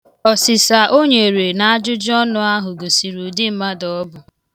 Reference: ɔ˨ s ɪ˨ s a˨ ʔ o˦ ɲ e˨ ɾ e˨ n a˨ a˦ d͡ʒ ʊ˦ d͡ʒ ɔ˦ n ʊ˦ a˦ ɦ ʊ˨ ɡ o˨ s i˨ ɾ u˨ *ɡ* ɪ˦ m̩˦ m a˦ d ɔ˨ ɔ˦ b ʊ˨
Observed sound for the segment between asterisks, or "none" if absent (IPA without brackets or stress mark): d